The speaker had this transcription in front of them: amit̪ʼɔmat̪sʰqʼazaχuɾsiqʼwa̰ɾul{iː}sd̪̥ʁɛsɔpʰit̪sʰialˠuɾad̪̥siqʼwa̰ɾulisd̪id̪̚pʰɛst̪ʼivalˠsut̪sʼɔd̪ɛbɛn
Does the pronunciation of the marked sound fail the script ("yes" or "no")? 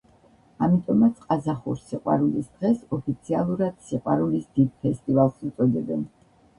yes